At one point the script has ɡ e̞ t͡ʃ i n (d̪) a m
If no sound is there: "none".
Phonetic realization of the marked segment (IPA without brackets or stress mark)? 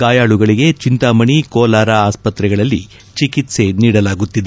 t̪